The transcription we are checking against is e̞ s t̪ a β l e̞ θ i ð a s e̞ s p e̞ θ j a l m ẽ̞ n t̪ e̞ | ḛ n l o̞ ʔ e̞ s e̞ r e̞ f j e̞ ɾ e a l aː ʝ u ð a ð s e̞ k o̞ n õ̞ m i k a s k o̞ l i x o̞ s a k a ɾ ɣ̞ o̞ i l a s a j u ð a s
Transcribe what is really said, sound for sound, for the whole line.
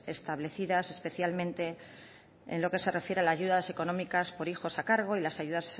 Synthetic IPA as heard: e̞ s t̪ a β l e̞ θ i ð a s e̞ s p e̞ θ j a l m ẽ̞ n t̪ e̞ | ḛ n l o̞ k e̞ s e̞ r e̞ f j e̞ ɾ e a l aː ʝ u ð a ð s e̞ k o̞ n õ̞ m i k a s p o̞ ɾ i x o̞ s a k a ɾ ɣ̞ o̞ i l a s a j u ð a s